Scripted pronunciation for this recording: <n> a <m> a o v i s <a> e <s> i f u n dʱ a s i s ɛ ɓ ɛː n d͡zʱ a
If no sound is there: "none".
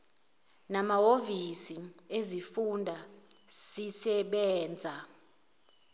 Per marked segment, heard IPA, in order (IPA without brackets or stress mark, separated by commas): n, m, i, z